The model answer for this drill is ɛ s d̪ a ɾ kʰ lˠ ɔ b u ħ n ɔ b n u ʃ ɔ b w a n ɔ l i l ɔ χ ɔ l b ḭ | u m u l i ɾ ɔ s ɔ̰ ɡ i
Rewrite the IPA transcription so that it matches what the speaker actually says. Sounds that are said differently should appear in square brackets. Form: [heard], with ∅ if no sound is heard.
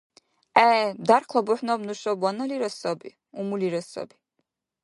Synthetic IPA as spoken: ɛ [∅] d̪ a ɾ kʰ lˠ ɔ b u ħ n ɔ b n u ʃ ɔ b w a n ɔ l i [ɾ] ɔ [s] ɔ [∅] b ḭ | u m u l i ɾ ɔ s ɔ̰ [b] i